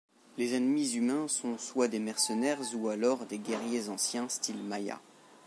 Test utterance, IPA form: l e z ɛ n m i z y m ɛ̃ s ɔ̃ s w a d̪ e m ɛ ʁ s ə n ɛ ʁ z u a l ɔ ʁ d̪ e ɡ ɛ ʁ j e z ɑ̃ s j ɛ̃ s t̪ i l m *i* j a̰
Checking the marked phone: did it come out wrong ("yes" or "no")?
yes